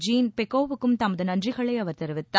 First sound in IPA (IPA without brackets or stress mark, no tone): d͡ʒ